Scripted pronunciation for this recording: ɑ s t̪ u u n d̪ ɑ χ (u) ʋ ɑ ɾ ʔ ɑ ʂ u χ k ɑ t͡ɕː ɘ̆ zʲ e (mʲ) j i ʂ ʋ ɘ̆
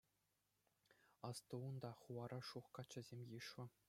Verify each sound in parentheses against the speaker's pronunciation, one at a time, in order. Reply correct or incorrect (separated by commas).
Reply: correct, correct